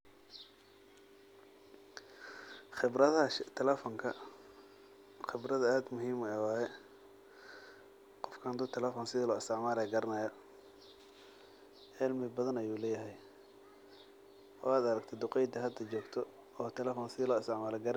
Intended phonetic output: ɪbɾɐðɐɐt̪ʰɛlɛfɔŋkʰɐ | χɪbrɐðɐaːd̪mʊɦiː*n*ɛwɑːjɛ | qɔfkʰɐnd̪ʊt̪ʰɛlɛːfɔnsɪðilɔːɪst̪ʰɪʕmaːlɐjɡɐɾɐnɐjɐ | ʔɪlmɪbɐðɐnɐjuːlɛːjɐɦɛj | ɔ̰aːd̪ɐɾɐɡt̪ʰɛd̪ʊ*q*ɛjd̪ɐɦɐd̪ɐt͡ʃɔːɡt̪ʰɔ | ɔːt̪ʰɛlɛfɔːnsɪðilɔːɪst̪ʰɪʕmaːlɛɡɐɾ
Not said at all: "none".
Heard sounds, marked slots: m, q

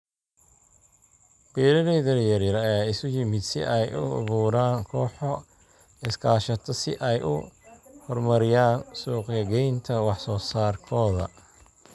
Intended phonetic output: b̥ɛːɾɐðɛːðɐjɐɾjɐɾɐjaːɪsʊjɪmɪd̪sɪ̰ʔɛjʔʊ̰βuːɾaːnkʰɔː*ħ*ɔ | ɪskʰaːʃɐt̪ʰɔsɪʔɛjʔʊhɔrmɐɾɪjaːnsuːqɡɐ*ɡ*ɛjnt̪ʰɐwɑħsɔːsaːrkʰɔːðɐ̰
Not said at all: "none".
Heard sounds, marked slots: ħ, ɡ

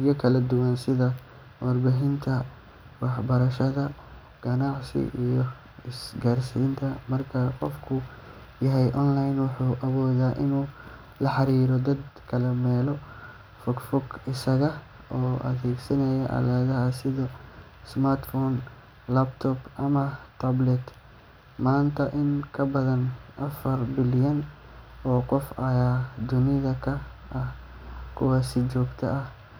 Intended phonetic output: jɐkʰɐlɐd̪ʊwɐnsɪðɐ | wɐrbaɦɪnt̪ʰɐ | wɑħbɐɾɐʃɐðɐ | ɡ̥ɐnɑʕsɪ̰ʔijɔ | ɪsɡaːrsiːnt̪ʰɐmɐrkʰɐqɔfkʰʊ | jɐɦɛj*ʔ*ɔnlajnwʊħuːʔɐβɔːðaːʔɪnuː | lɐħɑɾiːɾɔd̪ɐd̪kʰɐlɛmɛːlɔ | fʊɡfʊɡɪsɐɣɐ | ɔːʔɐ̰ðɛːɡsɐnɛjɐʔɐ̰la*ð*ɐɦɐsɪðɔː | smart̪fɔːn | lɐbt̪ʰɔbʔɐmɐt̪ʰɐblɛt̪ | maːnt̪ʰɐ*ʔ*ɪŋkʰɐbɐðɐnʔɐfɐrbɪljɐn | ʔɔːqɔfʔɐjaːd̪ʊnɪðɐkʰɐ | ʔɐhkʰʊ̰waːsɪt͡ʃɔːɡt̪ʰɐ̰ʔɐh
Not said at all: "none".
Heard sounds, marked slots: ʔ, ð, ʔ

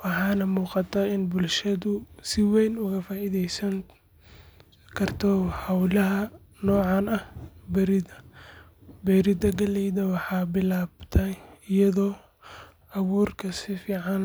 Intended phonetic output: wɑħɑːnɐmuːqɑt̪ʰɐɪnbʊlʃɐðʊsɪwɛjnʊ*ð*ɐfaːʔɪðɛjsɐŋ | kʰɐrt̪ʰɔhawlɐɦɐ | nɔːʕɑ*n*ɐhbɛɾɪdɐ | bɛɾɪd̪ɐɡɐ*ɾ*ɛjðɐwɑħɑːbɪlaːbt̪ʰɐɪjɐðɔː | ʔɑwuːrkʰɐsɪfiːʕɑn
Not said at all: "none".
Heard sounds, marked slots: ɣ, n, l

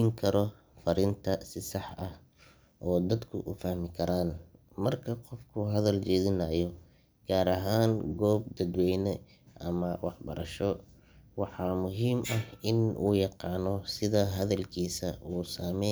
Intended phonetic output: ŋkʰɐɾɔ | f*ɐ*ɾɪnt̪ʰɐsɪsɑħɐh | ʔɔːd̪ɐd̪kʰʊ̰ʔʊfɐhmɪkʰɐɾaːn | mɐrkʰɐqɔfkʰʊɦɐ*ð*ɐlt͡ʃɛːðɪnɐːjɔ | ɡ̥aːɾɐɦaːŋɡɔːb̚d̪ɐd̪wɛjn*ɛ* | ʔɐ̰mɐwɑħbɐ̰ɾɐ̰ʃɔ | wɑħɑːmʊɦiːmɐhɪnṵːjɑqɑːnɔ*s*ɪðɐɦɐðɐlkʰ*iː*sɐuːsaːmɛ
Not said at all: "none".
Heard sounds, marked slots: ɐ, ð, ɛ, s, iː

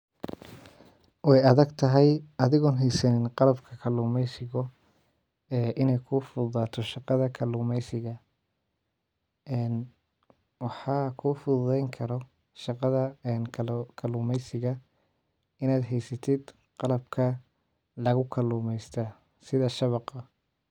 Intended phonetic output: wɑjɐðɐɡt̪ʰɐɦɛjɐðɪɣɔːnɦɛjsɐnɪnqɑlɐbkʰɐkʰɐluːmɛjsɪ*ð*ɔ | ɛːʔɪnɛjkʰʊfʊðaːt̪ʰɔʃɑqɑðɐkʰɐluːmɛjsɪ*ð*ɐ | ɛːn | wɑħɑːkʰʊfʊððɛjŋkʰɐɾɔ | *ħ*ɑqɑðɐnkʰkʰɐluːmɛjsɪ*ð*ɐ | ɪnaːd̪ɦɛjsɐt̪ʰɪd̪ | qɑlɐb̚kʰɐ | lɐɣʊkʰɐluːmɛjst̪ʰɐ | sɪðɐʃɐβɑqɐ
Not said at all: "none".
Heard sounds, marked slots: ɣ, ɣ, ʃ, ɣ

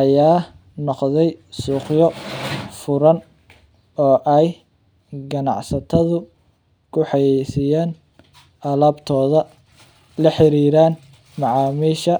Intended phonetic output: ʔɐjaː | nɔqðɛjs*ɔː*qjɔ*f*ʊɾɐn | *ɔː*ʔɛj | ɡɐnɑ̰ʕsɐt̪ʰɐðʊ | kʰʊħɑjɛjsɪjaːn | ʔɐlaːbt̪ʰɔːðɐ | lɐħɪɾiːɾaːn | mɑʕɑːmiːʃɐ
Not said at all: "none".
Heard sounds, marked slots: uː, f, ɔː

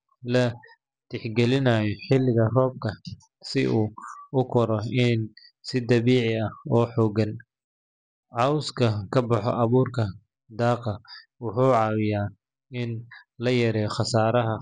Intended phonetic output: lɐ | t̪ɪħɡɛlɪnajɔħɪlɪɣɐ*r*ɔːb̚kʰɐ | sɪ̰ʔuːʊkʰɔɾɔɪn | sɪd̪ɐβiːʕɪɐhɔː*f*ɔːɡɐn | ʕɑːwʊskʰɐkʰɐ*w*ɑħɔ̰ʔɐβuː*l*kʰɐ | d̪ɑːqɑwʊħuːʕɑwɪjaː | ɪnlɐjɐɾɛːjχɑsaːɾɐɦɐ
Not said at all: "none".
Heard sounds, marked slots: r, ħ, b, r

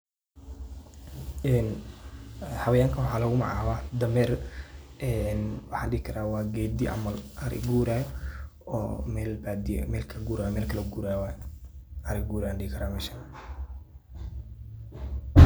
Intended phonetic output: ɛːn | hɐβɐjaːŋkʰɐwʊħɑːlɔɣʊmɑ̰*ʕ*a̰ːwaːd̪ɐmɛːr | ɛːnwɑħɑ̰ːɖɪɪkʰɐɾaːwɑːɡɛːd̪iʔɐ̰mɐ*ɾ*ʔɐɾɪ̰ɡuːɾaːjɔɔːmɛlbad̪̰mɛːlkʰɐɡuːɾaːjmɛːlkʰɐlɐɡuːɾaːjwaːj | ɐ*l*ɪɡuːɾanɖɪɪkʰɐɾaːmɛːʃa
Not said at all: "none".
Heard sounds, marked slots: ʕ, l, ɾ

